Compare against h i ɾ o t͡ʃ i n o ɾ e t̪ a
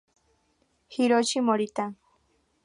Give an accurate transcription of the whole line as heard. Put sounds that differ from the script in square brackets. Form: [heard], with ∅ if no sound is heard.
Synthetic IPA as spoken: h i ɾ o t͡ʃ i [m] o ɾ [i] t̪ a